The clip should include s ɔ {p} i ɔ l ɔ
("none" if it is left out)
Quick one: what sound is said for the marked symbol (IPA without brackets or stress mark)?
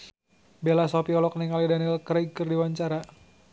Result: p